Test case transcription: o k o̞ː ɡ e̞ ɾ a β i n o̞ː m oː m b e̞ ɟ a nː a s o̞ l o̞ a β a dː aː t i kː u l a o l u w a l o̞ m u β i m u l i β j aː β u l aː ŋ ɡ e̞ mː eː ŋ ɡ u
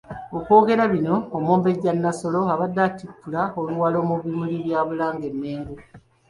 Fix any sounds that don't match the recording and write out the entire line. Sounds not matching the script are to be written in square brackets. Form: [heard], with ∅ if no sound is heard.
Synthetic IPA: o k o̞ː ɡ e̞ ɾ a β i n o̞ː m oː m b e̞ ɟ a nː a s o̞ l o̞ a β a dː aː t i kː u l a o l u w a l o̞ m u β i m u l i β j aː β u l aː ŋ ɡ e̞ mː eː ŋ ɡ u